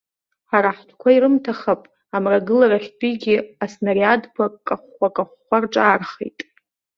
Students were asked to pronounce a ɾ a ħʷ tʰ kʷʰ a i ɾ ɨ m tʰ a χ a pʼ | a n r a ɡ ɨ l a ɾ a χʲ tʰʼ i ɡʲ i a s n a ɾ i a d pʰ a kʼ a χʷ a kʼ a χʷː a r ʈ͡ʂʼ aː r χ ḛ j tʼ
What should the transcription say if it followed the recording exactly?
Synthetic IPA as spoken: a ɾ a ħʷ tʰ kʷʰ a i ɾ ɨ m tʰ a χ a pʼ | a m r a ɡ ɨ l a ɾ a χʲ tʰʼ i ɡʲ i a s n a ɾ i a d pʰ a kʼ a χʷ a kʼ a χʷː a r ʈ͡ʂʼ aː r χ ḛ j tʼ